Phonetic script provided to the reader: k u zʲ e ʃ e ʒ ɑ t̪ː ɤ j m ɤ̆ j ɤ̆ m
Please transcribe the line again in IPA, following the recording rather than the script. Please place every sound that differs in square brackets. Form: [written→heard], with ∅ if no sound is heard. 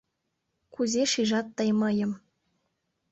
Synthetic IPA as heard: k u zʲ e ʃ [e→i] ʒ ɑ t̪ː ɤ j m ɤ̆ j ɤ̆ m